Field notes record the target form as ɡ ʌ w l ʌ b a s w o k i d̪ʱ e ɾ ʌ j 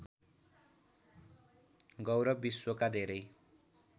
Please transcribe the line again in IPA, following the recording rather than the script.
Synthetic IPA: ɡ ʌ w ɾ ʌ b i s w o k a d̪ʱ e ɾ ʌ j